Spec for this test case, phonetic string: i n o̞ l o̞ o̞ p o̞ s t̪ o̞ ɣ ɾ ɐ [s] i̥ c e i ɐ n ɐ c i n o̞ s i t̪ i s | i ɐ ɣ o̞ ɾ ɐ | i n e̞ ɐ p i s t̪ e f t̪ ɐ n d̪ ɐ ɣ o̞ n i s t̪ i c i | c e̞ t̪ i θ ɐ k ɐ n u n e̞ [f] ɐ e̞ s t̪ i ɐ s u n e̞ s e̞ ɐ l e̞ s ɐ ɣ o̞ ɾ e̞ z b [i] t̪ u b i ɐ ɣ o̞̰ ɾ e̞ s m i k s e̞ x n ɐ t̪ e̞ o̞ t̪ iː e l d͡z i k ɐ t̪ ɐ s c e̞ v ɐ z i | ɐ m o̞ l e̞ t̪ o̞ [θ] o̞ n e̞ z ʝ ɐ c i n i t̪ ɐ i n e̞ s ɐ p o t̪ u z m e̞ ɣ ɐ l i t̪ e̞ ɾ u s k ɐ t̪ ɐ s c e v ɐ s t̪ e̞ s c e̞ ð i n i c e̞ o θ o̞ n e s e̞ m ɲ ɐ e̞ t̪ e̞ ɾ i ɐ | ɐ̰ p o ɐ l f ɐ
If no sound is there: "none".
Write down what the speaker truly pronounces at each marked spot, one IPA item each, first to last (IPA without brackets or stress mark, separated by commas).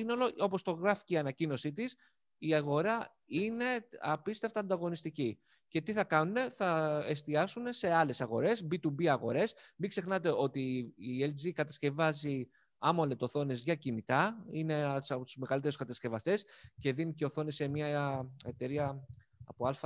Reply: f, θ, i, θ